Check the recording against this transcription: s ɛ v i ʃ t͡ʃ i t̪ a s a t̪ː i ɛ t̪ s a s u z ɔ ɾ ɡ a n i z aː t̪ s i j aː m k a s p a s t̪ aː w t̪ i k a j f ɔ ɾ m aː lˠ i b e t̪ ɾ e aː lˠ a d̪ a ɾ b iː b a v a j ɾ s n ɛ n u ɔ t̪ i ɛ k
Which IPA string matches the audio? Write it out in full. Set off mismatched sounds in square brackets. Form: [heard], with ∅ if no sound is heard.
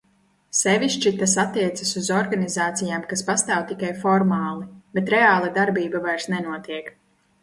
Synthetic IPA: s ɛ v i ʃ t͡ʃ i t̪ a s a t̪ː i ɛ t̪ s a s u z ɔ ɾ ɡ a n i z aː t̪ s i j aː m k a s p a s t̪ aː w t̪ i k a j f ɔ ɾ m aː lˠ i b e t̪ ɾ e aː lˠ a d̪ a ɾ b iː b a v a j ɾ s n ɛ n u ɔ t̪ i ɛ k